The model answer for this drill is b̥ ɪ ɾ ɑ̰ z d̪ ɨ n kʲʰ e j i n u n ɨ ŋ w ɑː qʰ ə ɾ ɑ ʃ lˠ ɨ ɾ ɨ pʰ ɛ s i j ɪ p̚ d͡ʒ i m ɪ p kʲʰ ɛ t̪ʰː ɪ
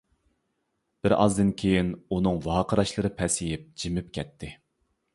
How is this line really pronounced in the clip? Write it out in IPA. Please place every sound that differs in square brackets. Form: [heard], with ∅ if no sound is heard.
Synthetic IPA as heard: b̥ ɪ ɾ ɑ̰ z d̪ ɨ n kʲʰ e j i n u n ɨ ŋ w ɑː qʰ ə ɾ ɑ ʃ lˠ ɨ ɾ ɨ pʰ ɛ s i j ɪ p̚ d͡ʒ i m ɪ p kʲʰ ɛ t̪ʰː ɪ